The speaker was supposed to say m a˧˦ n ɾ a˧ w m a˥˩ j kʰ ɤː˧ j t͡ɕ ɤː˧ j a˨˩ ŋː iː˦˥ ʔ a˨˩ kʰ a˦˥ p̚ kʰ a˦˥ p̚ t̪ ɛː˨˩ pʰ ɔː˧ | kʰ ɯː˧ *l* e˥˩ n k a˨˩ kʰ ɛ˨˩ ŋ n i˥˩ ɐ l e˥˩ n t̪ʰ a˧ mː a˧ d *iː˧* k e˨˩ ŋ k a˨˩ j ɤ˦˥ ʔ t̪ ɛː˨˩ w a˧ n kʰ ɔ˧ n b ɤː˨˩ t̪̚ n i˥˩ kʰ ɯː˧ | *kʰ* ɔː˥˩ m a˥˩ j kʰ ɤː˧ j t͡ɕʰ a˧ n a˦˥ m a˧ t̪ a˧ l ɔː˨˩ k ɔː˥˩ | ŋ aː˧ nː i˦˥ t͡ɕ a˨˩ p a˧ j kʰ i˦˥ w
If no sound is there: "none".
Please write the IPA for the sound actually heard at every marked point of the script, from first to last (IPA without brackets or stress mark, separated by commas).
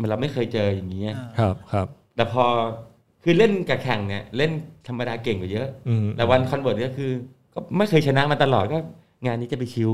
l, aː˧, k